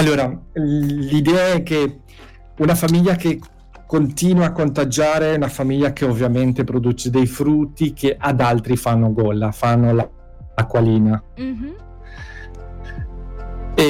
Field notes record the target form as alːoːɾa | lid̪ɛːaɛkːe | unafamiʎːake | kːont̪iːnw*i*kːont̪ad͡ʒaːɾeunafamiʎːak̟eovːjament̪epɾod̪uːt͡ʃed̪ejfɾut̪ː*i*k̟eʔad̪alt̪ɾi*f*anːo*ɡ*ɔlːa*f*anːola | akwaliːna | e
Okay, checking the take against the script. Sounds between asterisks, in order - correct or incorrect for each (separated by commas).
incorrect, correct, correct, correct, correct